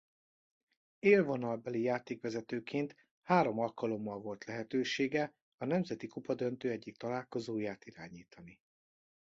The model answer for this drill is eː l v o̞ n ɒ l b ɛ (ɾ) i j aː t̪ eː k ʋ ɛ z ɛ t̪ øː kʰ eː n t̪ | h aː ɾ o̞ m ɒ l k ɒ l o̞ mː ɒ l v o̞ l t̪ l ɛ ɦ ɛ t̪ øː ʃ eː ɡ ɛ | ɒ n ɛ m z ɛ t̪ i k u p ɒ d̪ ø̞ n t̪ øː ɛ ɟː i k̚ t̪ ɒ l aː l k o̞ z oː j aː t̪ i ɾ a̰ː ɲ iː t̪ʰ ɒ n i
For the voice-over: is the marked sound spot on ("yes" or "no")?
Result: no